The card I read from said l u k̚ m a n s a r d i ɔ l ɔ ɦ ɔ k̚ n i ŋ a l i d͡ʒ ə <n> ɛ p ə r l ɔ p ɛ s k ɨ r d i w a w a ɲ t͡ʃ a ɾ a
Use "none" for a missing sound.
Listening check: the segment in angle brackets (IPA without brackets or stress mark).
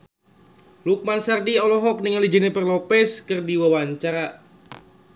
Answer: n